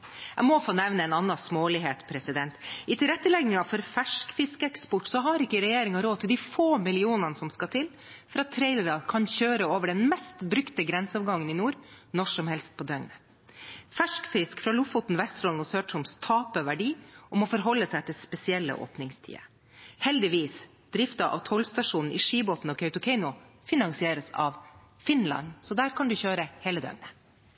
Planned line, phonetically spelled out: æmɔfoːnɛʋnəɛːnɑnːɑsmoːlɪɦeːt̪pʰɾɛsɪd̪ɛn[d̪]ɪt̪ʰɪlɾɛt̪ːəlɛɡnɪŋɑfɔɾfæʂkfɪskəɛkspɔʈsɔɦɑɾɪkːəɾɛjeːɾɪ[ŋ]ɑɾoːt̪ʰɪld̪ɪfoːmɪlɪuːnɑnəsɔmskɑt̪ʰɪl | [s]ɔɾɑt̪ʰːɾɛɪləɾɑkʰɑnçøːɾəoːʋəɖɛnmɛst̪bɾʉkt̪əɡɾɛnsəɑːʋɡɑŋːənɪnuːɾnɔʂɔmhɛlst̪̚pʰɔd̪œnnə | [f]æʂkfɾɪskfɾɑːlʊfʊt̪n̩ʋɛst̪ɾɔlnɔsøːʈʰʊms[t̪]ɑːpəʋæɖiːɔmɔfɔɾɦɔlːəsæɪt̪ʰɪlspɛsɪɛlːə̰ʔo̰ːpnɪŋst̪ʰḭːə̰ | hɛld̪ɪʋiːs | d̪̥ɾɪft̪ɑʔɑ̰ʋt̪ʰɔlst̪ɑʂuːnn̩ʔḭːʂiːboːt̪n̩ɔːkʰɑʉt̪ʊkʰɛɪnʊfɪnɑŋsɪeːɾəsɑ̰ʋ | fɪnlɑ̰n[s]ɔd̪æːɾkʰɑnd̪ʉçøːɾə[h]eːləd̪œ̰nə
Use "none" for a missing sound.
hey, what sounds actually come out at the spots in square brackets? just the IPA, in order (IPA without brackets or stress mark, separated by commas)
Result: t̪, ŋ, f, f, t̪ʰ, s, h